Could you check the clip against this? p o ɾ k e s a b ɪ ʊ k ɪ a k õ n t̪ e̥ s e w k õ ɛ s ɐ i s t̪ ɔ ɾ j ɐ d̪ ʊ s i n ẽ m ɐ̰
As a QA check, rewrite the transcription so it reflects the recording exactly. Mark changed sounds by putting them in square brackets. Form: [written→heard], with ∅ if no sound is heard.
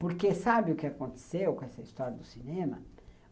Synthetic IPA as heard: p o ɾ k e s a b ɪ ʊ k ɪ a k õ n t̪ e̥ s e w k õ ɛ s ɐ i s t̪ ɔ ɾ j ɐ d̪ ʊ s i n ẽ m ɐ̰